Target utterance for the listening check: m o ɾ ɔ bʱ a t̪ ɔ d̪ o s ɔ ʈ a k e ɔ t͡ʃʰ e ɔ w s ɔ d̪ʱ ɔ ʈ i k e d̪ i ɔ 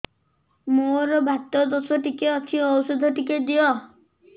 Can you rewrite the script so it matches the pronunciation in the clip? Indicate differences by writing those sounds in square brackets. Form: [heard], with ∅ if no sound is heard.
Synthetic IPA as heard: m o ɾ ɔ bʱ a t̪ ɔ d̪ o s ɔ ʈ [i] k e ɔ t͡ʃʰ [i] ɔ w s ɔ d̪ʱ ɔ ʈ i k e d̪ i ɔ